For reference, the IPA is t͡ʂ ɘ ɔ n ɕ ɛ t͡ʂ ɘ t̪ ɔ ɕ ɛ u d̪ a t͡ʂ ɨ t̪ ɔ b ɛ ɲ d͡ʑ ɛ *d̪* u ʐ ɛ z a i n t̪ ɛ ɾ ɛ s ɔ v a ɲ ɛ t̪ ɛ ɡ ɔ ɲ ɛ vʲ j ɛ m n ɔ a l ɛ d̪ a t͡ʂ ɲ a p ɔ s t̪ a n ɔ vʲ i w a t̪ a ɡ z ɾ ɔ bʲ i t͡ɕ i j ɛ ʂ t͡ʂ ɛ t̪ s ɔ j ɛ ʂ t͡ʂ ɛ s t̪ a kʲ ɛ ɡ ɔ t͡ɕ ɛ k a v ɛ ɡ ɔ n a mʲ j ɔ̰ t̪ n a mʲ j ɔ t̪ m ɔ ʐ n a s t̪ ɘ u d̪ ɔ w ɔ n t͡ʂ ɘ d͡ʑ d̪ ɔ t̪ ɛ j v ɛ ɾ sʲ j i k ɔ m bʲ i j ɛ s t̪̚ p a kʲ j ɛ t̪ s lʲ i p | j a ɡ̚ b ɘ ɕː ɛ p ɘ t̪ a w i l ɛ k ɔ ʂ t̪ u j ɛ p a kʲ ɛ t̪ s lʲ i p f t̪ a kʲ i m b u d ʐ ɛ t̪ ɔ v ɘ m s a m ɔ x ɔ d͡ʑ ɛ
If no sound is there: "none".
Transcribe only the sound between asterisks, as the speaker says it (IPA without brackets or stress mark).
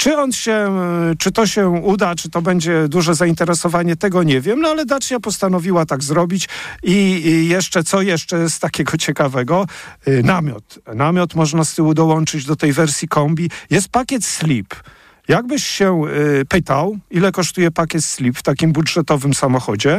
d̪